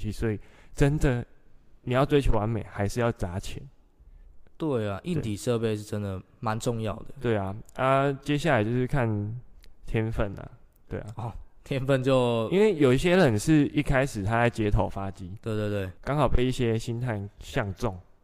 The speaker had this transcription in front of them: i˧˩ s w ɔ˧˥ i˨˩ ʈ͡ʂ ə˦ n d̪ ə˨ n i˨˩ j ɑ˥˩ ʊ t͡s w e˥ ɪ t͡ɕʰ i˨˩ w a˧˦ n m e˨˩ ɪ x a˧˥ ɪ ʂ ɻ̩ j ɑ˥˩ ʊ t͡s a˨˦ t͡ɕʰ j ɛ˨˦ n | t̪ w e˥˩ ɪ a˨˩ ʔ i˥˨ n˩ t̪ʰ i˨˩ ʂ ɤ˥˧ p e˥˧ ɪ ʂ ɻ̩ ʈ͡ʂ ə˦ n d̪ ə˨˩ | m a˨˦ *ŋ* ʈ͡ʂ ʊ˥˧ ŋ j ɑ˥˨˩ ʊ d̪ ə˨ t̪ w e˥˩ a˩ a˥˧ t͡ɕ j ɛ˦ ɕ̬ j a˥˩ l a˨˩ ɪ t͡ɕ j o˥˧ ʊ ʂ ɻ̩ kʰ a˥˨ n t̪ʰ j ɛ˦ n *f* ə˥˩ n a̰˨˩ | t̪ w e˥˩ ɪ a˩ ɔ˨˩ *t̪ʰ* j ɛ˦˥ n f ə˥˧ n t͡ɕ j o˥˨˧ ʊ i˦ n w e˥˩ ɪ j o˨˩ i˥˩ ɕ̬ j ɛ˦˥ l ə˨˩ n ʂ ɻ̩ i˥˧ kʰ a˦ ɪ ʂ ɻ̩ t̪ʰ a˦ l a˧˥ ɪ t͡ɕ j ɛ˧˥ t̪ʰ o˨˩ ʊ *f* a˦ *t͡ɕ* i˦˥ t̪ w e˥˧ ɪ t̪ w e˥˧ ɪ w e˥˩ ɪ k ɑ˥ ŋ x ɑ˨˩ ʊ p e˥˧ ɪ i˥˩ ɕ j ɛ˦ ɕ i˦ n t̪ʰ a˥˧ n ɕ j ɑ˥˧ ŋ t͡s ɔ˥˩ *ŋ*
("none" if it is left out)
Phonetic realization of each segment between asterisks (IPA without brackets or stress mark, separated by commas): n, f, t̪ʰ, f, t͡ɕ, ŋ